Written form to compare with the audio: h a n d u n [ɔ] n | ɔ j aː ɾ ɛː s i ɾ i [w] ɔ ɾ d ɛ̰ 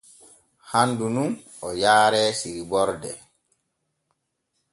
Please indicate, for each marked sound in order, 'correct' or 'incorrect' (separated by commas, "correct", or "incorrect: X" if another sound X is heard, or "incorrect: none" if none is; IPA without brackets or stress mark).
incorrect: u, incorrect: b